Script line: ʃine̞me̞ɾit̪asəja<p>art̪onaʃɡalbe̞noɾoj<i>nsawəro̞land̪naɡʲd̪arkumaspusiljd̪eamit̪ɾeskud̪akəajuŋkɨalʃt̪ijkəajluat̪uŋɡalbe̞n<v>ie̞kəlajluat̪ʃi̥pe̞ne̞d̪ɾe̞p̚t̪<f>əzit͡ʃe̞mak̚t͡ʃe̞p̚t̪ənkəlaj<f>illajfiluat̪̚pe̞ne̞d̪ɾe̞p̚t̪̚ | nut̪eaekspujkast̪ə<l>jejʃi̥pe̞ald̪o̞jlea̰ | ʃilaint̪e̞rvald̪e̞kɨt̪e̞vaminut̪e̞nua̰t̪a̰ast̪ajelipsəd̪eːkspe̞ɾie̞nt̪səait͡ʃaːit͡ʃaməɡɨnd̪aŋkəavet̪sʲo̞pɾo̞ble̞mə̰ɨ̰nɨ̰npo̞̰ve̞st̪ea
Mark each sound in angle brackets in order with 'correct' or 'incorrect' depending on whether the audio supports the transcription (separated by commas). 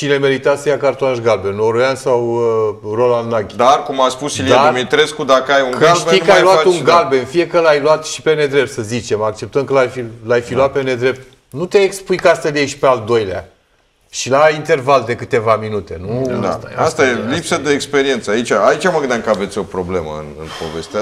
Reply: incorrect, incorrect, incorrect, incorrect, correct, correct